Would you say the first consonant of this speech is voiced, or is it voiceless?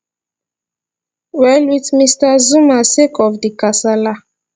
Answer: voiced